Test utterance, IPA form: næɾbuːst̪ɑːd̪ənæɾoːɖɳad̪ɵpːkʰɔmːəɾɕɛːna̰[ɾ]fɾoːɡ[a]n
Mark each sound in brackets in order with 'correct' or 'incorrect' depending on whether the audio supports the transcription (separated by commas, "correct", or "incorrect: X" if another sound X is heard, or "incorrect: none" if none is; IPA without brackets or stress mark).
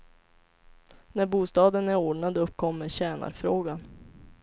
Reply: correct, correct